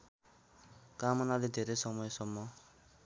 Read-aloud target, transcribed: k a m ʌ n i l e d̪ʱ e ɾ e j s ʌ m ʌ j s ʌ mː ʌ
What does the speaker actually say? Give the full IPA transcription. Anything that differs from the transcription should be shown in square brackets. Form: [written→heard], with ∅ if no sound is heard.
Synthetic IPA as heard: k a m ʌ n [i→a] l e d̪ʱ e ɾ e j s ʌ m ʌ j s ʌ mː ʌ